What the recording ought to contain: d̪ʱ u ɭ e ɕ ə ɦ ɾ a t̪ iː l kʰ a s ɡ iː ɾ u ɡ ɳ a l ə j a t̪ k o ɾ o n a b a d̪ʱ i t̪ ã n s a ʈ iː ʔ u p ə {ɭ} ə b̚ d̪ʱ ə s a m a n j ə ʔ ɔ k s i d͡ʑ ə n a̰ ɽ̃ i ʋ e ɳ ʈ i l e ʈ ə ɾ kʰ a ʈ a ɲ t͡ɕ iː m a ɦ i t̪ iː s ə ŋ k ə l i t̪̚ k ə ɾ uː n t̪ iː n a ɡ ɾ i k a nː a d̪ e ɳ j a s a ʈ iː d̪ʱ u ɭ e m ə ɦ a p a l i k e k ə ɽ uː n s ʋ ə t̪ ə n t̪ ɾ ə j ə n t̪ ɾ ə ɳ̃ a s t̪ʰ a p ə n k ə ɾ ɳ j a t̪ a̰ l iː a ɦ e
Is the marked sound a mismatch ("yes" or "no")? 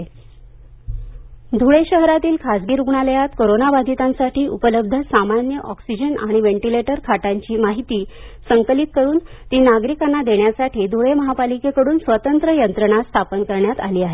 yes